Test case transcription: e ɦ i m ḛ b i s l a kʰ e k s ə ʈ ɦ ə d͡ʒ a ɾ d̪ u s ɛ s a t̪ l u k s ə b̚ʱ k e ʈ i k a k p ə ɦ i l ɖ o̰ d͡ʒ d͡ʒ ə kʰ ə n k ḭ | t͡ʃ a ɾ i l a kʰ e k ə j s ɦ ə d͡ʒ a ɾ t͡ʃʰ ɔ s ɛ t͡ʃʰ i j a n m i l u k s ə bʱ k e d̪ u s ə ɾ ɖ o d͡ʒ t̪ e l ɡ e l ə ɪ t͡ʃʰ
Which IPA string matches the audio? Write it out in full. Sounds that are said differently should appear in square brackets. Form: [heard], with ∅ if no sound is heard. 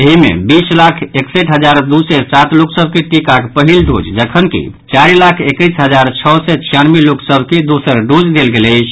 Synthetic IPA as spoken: e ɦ i m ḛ b i s l a kʰ e k s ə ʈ ɦ ə d͡ʒ a ɾ d̪ u s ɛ s a t̪ l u k s ə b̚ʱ k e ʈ i k a k p ə ɦ i l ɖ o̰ d͡ʒ d͡ʒ ə kʰ ə n k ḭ | t͡ʃ a ɾ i l a kʰ e k ə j s ɦ ə d͡ʒ a ɾ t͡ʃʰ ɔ s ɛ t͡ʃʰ i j a n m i l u k s ə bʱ k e d̪ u s ə ɾ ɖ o d͡ʒ [d̪] e l ɡ e l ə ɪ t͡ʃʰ